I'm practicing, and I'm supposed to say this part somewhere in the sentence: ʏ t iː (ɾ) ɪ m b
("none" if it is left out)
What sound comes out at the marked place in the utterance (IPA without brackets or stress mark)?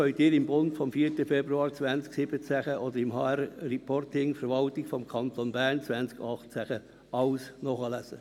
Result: ɾ